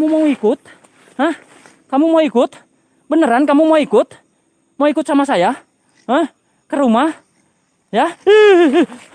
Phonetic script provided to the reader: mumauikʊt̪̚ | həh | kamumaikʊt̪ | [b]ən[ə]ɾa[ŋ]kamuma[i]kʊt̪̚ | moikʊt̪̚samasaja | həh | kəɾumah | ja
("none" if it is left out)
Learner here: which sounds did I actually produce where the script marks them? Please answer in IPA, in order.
b, ə, n, i

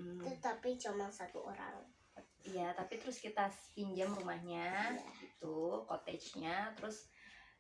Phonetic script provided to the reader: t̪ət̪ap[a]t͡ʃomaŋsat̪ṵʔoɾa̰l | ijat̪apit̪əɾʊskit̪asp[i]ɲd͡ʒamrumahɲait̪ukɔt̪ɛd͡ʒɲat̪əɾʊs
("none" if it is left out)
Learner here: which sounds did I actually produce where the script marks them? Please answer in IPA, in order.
i, i

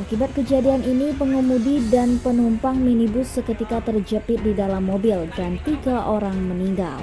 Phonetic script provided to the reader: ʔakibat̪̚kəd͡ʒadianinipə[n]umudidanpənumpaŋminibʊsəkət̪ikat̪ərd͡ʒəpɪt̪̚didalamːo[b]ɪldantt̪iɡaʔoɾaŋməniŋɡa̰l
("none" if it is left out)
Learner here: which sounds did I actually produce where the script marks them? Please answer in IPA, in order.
ŋ, b

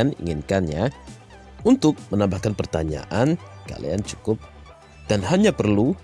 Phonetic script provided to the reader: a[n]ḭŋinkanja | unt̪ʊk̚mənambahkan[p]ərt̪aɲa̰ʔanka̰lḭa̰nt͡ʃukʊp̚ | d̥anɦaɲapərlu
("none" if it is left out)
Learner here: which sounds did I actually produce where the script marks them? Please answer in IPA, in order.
n, p

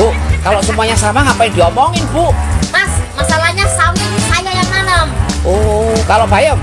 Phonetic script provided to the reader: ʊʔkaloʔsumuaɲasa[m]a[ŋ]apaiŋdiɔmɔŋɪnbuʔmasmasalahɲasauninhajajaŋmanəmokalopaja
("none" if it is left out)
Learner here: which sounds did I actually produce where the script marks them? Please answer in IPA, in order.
m, ŋ

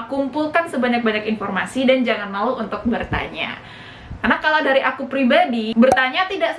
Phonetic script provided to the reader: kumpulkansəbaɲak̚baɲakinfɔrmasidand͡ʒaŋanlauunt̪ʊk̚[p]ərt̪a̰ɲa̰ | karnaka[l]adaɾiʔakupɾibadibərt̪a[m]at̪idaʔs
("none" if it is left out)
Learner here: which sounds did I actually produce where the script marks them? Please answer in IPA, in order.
b, l, ɲ

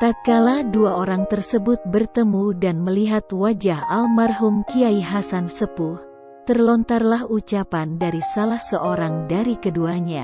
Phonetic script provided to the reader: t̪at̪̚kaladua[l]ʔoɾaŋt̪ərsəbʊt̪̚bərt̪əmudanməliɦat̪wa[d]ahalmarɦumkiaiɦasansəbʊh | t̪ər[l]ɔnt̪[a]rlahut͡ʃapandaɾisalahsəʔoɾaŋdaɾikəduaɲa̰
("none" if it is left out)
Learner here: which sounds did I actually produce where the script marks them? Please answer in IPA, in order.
none, d͡ʒ, l, a

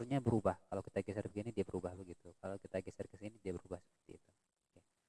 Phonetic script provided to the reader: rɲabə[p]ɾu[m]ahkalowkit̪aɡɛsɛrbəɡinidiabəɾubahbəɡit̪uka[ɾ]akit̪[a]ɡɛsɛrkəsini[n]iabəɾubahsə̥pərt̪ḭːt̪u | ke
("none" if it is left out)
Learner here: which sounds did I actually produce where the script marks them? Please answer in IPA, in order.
none, b, l, a, d

